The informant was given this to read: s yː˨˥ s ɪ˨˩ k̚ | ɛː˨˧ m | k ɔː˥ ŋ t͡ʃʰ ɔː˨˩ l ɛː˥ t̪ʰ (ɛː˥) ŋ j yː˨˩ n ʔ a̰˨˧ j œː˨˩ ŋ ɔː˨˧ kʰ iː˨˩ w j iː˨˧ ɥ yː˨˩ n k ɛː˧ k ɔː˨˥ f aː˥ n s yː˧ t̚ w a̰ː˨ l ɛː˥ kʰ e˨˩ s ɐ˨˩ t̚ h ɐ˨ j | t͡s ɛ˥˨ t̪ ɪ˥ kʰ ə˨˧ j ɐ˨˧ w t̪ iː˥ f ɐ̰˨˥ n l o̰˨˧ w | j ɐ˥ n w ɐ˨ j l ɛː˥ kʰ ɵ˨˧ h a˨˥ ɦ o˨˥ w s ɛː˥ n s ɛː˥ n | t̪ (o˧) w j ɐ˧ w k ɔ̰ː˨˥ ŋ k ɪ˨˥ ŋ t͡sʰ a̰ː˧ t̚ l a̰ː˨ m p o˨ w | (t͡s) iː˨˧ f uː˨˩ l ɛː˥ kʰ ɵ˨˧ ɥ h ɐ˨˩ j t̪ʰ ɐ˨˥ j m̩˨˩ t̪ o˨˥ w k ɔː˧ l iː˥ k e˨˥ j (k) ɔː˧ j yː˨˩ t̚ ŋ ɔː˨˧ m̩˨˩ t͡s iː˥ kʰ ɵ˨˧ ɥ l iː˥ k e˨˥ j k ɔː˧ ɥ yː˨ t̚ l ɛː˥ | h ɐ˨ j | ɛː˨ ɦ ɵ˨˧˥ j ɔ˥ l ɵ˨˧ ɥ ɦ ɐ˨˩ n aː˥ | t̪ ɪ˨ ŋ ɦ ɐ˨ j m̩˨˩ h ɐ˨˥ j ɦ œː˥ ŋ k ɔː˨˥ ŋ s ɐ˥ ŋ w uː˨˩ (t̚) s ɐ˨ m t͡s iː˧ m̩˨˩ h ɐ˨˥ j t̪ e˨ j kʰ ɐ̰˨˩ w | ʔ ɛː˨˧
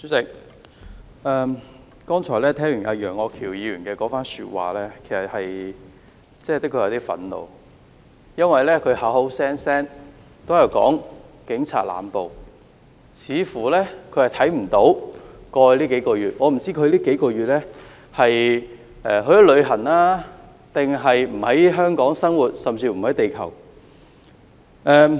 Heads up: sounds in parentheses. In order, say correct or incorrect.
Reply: correct, incorrect: o˥, incorrect: t͡sʰ, correct, correct

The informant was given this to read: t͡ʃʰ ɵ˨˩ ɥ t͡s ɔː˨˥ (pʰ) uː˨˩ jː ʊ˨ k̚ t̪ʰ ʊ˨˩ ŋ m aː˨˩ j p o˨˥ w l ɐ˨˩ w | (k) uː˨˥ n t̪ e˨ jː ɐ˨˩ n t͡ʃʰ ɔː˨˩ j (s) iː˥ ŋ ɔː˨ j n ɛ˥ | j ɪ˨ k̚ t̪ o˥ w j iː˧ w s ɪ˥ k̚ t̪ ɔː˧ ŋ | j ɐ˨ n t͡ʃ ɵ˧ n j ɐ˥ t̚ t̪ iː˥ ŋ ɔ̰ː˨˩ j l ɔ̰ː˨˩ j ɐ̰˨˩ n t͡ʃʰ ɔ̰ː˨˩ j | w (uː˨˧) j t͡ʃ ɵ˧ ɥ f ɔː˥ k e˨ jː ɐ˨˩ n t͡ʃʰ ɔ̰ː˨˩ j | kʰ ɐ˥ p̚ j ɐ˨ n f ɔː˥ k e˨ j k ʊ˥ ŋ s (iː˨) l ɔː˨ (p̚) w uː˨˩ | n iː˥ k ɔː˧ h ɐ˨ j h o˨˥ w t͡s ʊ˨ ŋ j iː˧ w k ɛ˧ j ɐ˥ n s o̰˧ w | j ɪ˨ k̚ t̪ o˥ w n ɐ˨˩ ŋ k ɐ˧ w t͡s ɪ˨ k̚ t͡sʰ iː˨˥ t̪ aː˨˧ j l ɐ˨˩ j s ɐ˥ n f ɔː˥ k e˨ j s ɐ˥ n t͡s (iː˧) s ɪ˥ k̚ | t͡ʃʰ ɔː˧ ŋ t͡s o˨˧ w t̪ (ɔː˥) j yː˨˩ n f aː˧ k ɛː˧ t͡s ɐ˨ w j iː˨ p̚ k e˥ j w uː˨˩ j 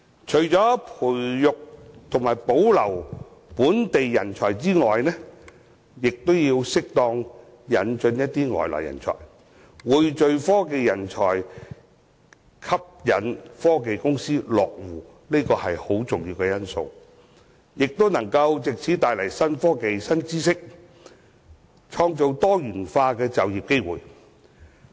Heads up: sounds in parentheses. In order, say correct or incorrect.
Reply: correct, incorrect: p, incorrect: t͡s, correct, incorrect: iː˥, incorrect: k̚, incorrect: iː˥, correct

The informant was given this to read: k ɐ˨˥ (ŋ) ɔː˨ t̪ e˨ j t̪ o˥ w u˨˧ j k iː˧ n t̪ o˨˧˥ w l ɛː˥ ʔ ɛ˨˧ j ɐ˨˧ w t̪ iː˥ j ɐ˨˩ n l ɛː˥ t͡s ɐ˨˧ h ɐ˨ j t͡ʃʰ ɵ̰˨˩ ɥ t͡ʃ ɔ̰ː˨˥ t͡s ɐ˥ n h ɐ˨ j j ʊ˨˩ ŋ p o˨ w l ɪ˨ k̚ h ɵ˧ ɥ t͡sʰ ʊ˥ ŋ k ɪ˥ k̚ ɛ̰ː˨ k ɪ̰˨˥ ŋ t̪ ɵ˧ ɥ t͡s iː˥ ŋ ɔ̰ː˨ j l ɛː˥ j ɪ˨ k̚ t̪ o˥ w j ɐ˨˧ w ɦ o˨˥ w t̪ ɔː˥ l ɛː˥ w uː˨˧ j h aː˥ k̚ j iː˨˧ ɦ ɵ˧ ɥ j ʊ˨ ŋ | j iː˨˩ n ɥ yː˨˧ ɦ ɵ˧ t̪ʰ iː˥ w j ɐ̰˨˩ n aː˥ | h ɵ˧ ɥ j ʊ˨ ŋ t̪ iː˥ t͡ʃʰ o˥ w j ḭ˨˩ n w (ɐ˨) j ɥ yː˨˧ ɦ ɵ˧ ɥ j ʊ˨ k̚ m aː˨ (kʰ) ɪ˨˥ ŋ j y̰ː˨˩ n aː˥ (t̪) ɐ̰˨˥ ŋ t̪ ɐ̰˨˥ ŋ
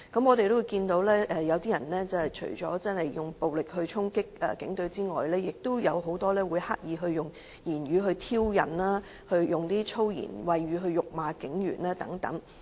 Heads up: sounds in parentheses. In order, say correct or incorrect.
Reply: incorrect: m, correct, incorrect: k, correct

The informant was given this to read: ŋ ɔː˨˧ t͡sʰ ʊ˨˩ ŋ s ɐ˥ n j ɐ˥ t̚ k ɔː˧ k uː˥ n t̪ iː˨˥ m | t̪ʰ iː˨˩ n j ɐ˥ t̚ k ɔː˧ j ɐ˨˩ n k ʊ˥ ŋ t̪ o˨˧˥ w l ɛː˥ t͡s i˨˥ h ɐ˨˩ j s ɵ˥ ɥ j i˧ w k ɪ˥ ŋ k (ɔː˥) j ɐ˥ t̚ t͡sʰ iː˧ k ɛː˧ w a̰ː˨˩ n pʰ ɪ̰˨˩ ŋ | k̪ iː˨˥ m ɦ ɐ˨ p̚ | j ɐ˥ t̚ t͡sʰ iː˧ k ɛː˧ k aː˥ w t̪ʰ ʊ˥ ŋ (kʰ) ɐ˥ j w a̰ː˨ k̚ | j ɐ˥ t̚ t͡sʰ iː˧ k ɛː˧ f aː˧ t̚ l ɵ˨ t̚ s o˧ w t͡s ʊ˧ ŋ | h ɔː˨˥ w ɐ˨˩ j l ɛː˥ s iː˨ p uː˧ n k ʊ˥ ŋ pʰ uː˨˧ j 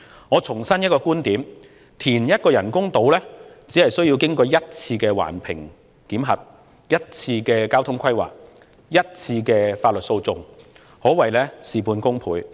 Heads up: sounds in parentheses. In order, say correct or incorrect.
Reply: incorrect: ɔː˧, correct

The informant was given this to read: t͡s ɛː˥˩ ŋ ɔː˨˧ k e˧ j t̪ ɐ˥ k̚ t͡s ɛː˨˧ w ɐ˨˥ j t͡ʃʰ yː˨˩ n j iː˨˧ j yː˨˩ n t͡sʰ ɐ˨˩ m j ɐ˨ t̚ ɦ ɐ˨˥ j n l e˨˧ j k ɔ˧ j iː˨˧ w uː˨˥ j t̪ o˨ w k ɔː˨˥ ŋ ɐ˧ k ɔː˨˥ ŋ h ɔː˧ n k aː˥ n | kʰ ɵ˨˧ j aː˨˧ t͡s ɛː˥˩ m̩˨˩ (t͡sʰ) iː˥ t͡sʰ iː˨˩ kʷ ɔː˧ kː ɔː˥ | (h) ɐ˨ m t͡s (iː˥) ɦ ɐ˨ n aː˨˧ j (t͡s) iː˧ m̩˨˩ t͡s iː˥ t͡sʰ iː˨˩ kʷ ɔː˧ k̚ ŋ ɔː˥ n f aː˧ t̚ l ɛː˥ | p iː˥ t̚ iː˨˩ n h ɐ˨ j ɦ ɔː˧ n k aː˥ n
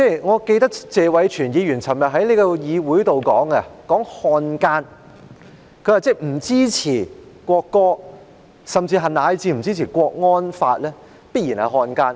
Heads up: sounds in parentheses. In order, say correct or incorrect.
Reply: incorrect: t͡s, incorrect: s, incorrect: iː˧, correct

